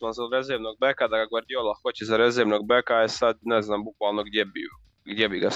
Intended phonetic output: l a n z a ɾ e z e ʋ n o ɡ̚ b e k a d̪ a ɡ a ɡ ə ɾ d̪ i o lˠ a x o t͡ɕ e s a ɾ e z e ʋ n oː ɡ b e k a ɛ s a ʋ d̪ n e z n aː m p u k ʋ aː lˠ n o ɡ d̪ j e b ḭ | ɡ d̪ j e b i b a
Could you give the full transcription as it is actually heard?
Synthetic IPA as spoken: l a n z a ɾ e z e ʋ n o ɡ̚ b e k a d̪ a ɡ a ɡ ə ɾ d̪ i o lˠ a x o t͡ɕ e z a ɾ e z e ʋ n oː ɡ b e k a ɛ s a d̪ n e z n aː m b u k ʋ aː lˠ n o ɡ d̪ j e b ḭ | ɡ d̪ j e b i ɡ a